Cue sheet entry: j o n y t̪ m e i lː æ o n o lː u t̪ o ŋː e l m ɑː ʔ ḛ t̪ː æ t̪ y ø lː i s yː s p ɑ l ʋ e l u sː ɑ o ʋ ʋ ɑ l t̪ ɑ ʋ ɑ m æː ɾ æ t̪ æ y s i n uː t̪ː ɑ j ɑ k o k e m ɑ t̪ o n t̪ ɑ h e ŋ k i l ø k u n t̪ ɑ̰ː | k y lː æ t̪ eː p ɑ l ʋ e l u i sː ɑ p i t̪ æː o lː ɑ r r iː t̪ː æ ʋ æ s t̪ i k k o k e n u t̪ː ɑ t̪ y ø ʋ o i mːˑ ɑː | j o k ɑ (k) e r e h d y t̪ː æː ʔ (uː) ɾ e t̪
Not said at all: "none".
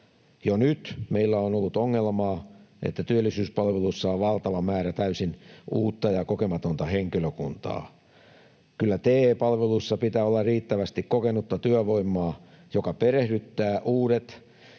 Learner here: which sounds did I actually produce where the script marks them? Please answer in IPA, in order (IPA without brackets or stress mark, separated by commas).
p, uː